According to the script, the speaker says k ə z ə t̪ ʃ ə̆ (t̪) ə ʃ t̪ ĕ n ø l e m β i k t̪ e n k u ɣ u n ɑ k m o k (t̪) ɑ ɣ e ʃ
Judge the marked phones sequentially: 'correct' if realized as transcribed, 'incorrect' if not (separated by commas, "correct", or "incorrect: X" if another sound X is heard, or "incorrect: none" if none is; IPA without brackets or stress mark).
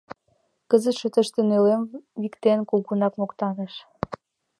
correct, correct